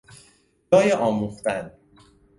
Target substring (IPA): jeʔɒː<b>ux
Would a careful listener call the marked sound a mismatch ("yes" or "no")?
yes